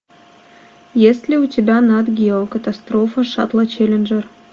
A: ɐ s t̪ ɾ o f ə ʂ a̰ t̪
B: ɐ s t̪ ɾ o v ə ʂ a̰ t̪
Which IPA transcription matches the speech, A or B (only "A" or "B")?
A